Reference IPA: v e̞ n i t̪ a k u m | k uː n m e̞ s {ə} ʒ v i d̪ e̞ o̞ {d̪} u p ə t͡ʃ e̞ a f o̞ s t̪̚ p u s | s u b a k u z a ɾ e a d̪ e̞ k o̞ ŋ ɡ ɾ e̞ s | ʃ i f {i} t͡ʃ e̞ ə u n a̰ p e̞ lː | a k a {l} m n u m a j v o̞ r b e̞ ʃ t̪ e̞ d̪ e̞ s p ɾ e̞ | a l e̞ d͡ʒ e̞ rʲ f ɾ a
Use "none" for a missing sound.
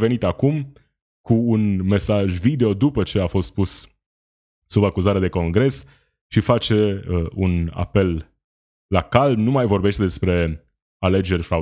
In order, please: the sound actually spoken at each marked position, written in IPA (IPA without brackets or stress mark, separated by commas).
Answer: a, d̪, a, l